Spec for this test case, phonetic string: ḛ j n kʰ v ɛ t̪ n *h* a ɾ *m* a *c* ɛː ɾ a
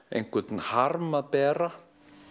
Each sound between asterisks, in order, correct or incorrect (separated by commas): correct, correct, incorrect